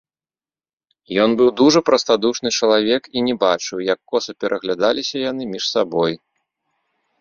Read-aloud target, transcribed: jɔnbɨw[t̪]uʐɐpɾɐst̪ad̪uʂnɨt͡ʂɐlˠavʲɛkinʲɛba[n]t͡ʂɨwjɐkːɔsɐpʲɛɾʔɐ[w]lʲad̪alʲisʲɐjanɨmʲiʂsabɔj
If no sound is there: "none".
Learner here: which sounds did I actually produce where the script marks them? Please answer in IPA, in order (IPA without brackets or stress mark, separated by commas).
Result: d̪, none, ɣ